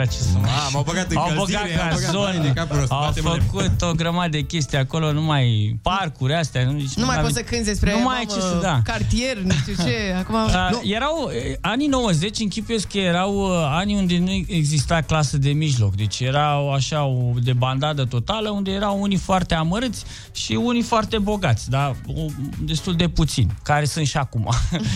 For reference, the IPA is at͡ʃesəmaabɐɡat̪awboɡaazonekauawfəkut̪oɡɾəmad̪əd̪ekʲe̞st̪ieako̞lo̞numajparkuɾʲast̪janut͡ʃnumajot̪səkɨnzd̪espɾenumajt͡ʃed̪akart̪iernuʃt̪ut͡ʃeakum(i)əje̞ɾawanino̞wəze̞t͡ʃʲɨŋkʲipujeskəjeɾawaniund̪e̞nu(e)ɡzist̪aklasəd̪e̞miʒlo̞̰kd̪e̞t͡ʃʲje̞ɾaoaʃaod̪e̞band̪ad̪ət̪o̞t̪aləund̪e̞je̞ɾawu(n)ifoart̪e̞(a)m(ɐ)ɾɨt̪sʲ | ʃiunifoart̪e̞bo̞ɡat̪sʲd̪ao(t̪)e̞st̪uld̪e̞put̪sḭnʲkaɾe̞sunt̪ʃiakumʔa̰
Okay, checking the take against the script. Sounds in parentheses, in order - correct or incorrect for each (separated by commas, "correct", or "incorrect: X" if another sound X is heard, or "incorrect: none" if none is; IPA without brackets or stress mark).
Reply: incorrect: a, correct, correct, correct, incorrect: ə, incorrect: d̪